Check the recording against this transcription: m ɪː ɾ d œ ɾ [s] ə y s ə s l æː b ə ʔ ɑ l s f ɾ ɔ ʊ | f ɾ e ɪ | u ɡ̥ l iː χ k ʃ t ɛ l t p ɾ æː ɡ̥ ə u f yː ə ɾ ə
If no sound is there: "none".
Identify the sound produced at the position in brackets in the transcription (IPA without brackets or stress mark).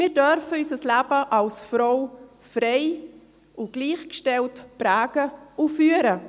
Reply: f